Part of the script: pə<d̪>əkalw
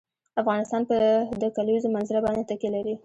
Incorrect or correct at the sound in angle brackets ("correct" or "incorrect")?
correct